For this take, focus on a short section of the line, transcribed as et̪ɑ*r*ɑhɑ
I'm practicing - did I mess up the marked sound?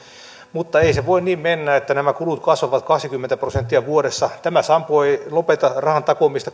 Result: no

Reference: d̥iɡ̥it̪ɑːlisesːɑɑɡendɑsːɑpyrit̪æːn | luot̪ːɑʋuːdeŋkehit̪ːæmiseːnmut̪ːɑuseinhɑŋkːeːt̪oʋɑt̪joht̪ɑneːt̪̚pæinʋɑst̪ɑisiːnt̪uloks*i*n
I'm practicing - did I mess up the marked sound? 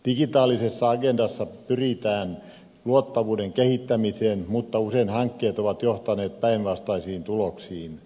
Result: yes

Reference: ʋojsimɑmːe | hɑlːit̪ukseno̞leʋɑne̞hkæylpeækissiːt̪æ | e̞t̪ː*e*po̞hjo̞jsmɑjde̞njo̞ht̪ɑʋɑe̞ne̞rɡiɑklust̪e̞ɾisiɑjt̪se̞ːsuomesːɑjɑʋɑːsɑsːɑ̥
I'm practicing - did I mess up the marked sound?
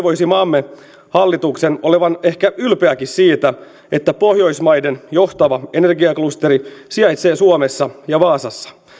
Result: yes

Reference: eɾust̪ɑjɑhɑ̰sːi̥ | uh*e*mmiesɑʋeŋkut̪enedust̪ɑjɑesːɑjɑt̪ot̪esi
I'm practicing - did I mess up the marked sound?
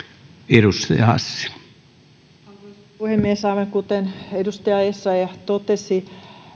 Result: no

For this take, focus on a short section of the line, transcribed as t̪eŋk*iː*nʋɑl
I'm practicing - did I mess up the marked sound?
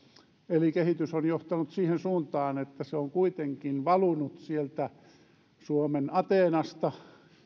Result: yes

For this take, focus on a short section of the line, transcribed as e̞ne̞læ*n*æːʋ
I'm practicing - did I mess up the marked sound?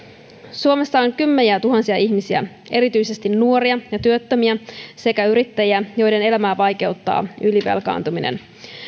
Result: yes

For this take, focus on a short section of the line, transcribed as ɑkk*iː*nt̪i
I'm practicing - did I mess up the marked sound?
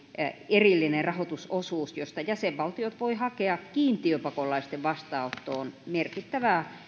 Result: no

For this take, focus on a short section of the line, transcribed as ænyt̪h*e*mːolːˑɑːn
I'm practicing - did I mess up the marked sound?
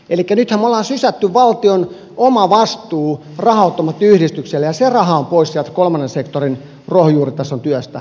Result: yes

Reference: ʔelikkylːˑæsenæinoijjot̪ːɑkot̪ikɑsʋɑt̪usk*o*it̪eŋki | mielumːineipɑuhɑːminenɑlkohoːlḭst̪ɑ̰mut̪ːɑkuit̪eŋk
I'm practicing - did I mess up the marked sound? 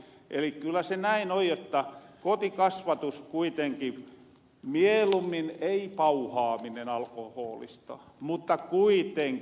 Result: yes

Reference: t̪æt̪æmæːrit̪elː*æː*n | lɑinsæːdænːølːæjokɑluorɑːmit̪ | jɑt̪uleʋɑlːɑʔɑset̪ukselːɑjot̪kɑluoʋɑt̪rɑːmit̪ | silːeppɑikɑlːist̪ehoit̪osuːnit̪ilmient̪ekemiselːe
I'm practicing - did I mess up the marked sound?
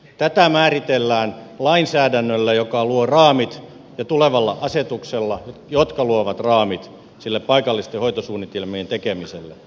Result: no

